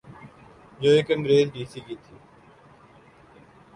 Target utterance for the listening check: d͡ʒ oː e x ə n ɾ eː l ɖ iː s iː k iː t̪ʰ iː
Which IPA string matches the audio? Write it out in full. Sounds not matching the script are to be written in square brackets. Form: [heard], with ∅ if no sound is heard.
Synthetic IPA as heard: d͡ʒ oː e [k] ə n ɾ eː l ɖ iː s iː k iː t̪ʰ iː